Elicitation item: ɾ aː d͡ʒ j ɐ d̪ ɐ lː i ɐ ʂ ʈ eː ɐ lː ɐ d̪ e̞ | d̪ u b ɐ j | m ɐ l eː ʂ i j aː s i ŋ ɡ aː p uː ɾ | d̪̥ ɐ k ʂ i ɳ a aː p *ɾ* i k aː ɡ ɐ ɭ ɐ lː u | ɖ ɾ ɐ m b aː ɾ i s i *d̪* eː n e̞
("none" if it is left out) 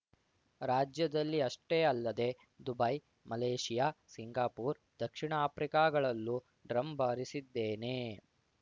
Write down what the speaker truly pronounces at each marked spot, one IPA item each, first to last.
ɾ, d̪ː

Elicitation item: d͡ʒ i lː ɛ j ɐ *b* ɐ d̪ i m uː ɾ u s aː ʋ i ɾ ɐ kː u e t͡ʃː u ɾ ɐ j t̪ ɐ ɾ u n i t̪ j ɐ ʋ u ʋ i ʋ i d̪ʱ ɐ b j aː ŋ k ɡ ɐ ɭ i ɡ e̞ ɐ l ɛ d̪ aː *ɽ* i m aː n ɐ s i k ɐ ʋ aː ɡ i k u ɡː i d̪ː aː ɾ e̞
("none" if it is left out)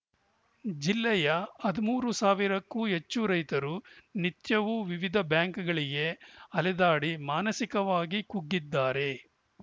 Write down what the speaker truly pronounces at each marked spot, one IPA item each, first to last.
none, ɽ

